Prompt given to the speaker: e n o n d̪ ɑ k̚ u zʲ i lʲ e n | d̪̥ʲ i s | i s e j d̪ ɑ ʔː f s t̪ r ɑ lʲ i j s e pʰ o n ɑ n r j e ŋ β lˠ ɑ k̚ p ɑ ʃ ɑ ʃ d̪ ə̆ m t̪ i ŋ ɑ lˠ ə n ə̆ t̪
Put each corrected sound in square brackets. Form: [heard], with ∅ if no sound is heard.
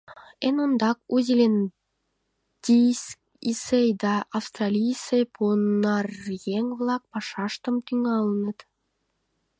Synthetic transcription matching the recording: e n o n d̪ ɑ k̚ u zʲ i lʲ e n | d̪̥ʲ i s | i s e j d̪ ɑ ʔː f s t̪ r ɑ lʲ i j s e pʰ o n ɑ [∅] r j e ŋ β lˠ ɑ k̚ p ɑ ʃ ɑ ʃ [t̪] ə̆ m t̪ [y] ŋ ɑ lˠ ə n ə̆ t̪